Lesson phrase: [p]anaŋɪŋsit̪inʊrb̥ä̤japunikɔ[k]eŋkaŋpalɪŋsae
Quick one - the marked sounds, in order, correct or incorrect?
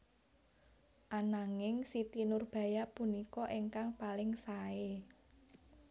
incorrect: ʔ, incorrect: ʔ

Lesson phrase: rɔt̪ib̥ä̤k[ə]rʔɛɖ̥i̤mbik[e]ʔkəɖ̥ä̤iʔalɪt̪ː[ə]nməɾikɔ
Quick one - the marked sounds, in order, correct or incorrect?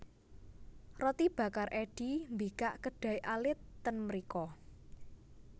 incorrect: a, incorrect: a, correct

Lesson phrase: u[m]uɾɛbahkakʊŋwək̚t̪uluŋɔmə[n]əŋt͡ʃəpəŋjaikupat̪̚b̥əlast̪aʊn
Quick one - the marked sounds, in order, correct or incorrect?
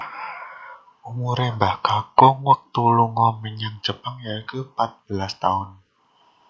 correct, incorrect: ɲ

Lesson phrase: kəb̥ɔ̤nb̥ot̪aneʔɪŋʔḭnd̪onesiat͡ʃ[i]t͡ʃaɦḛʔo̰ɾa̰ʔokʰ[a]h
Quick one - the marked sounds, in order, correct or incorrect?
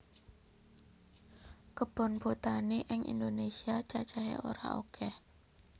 incorrect: a, incorrect: ɛ

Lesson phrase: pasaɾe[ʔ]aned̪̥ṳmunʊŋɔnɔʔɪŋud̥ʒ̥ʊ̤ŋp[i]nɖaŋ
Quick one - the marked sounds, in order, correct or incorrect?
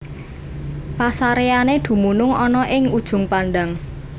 incorrect: none, incorrect: a

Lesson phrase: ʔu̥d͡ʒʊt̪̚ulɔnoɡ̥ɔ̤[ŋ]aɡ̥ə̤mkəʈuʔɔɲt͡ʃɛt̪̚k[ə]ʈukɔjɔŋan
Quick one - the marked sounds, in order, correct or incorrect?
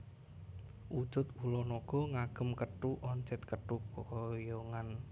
correct, correct

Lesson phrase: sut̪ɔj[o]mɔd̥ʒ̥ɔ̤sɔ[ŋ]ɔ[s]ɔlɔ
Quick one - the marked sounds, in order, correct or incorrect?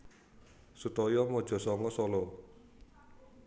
incorrect: ɔ, correct, correct

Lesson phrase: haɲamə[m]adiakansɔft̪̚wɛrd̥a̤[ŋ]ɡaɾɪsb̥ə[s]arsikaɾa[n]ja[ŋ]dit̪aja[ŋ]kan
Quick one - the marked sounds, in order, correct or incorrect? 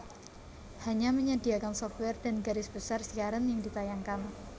incorrect: ɲ, incorrect: n, correct, correct, correct, correct

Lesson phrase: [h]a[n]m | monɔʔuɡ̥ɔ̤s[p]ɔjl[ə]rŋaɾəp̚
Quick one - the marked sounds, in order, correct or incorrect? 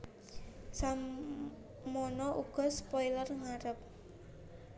incorrect: s, incorrect: none, correct, correct

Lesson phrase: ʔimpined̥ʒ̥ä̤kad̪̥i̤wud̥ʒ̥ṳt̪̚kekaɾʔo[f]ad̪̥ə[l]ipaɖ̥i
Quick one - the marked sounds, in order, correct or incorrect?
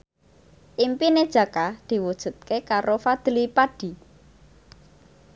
correct, correct

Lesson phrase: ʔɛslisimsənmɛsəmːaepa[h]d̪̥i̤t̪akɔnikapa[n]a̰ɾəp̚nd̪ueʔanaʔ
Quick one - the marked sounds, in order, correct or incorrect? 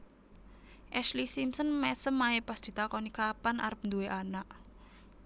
incorrect: s, correct

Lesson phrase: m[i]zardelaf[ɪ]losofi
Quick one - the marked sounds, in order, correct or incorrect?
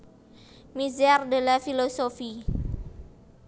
correct, incorrect: i

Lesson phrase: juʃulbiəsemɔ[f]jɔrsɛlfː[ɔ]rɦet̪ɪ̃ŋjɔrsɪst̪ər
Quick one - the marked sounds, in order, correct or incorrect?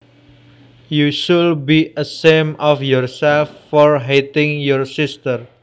correct, correct

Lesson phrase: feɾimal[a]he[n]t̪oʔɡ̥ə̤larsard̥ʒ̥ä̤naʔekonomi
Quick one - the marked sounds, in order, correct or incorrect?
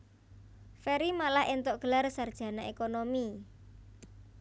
correct, correct

